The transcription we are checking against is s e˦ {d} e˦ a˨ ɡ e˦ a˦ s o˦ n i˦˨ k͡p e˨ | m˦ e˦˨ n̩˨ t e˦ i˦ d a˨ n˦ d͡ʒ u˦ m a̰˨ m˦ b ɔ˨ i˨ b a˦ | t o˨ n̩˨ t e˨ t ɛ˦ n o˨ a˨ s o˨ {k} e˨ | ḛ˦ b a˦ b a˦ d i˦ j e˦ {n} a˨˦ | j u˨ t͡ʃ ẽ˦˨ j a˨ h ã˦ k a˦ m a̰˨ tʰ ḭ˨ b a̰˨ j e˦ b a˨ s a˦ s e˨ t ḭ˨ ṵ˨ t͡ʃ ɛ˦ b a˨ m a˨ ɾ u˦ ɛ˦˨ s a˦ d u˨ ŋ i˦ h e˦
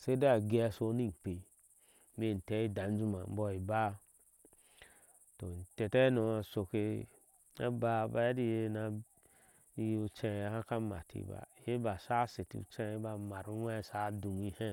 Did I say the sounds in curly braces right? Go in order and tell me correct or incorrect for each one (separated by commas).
correct, correct, correct